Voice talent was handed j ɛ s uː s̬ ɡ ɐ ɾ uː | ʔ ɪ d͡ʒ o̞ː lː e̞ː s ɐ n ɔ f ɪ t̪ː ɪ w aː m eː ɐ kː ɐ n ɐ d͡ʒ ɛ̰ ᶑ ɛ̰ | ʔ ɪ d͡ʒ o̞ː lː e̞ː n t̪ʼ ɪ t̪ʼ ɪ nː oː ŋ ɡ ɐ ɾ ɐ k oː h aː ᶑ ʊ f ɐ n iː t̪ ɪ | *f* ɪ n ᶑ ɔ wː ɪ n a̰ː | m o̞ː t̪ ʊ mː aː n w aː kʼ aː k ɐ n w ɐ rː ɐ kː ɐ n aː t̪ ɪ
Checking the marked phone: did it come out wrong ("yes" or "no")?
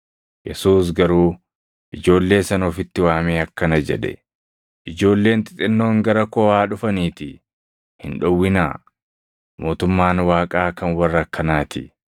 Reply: yes